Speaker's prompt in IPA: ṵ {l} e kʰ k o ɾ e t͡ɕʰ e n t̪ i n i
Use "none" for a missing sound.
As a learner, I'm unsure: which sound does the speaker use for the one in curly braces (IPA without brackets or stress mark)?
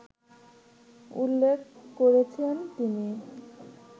lː